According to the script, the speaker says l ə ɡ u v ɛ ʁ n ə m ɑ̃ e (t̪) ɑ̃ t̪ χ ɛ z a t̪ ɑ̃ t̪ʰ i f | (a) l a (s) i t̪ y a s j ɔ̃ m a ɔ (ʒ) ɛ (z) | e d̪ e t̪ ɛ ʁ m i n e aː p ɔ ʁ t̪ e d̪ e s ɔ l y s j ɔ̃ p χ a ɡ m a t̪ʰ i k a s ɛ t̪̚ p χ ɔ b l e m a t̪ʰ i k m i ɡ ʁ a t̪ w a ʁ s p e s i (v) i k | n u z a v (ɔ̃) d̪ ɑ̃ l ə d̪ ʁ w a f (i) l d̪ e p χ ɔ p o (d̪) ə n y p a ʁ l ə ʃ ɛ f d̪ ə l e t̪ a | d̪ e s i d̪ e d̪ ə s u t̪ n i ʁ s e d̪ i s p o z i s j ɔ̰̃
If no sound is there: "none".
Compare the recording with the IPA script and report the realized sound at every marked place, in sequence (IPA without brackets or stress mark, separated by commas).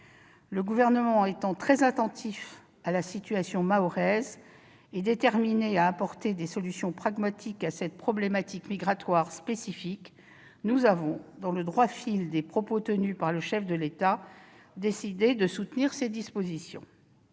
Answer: t̪, a, s, ʁ, z, f, ɔ̃, i, t̪